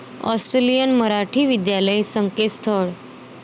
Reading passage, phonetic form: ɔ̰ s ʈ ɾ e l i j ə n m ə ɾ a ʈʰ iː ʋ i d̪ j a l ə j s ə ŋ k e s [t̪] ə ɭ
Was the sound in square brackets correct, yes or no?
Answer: no